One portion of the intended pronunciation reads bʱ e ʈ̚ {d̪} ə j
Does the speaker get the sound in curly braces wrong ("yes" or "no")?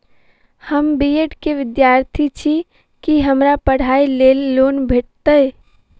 yes